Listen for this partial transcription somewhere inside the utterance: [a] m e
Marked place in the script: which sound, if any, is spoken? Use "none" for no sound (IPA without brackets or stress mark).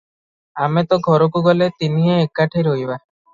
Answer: a